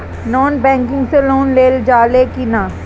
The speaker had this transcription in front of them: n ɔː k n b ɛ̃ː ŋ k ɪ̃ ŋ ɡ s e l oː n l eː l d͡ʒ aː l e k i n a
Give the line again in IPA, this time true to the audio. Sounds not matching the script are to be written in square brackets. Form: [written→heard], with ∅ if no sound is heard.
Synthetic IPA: n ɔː [k→∅] n b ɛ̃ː ŋ k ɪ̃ ŋ ɡ s e l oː n l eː l d͡ʒ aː l e k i n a